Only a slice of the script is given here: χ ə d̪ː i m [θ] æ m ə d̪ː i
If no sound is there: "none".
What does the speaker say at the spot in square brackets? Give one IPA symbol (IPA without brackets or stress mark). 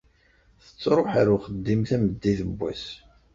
θ